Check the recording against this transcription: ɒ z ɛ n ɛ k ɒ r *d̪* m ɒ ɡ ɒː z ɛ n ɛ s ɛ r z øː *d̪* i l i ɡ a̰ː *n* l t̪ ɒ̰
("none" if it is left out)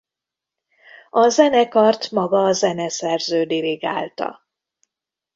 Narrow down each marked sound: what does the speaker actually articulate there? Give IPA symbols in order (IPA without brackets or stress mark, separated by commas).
t̪, d̪, none